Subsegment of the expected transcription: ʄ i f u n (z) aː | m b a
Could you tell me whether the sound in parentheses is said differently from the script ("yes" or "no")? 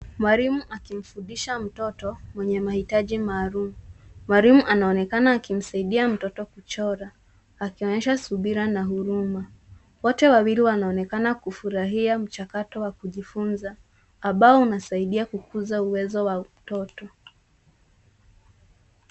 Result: no